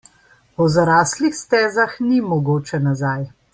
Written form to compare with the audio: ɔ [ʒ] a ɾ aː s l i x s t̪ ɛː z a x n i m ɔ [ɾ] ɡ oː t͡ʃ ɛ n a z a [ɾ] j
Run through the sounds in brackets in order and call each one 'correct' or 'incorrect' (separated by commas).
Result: incorrect, incorrect, incorrect